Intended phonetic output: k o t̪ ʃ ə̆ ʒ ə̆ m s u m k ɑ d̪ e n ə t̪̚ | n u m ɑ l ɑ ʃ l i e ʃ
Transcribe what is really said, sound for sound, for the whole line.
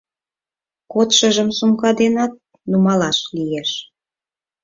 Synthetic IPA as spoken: k o t̪ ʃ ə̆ ʒ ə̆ m s u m k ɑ d̪ e n ɑ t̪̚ | n u m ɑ l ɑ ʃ l i e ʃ